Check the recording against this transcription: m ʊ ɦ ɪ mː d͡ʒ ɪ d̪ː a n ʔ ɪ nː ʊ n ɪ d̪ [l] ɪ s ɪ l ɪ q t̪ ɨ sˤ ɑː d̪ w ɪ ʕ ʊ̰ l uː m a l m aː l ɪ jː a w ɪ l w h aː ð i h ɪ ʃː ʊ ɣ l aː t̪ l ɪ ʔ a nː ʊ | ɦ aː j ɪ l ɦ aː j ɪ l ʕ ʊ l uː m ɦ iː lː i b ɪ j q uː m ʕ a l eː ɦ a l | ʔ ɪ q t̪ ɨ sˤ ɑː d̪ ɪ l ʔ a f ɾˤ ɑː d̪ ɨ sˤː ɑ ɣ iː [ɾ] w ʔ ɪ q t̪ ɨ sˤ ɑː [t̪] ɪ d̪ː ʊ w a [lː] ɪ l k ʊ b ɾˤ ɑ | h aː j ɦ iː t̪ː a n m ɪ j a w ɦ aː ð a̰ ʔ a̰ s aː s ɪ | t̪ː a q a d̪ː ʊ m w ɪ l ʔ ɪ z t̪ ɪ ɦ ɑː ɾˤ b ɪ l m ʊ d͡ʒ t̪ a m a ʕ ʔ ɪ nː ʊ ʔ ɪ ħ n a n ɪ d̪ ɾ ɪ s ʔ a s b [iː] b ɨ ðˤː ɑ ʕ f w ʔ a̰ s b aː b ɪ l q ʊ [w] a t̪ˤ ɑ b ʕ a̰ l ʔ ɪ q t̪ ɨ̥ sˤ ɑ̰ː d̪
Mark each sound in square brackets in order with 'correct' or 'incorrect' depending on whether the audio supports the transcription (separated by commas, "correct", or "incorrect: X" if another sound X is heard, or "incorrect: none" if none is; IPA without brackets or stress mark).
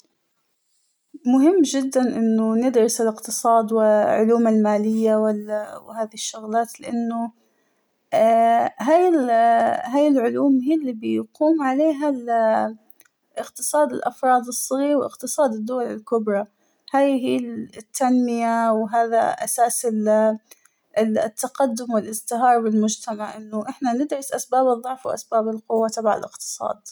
incorrect: ɾ, correct, incorrect: d̪, incorrect: l, incorrect: aː, incorrect: wː